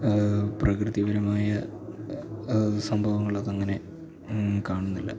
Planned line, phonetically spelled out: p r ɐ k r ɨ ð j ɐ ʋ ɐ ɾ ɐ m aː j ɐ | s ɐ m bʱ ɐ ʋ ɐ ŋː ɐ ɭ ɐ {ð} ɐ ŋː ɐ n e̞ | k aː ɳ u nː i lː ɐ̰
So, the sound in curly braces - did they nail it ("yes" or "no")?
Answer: yes